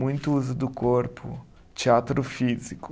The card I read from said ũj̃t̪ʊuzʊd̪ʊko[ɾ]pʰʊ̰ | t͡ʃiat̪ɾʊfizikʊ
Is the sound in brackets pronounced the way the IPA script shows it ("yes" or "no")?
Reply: yes